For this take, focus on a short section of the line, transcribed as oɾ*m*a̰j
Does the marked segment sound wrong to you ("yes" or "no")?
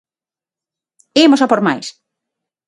no